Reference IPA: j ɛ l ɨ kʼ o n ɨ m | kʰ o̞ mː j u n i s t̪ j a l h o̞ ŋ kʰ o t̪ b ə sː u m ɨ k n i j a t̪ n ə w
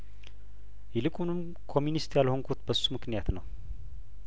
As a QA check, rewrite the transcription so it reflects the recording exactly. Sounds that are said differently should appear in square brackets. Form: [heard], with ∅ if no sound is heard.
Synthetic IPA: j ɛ l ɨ kʼ [u] n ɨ m | kʰ o̞ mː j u n i s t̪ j a l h o̞ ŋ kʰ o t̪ b ə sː u m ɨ k n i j a t̪ n ə w